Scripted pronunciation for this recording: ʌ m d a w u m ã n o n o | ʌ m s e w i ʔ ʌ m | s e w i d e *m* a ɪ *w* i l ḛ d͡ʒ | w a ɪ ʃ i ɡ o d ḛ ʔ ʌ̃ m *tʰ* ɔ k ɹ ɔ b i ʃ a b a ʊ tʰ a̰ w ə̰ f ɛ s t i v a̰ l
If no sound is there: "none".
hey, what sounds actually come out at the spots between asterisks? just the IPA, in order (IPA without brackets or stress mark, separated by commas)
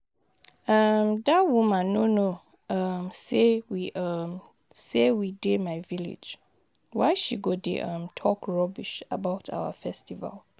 m, v, tʰ